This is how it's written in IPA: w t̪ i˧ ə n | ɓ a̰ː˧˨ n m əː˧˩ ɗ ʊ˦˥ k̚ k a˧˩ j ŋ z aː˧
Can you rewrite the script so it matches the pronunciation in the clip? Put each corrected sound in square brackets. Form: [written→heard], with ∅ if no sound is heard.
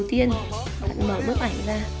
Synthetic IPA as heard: w t̪ i˧ ə n | ɓ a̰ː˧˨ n m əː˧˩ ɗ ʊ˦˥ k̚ [k→ʔ] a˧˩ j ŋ z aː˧